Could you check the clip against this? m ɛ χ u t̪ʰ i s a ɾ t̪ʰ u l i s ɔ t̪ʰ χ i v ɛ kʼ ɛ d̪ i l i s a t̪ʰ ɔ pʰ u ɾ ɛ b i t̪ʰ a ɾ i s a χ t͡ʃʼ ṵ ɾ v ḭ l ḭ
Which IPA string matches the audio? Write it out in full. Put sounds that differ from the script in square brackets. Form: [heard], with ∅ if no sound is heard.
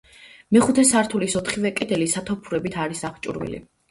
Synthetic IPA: m ɛ χ u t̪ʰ [ɛ] s a ɾ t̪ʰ u l i s ɔ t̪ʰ χ i v ɛ kʼ ɛ d̪ [ɛ] l i s a t̪ʰ ɔ pʰ u ɾ ɛ b i t̪ʰ a ɾ i s a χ t͡ʃʼ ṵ ɾ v ḭ l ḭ